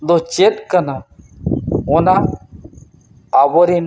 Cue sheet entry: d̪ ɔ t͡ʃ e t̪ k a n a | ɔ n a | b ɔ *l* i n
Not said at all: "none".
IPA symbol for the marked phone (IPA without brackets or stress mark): ɾ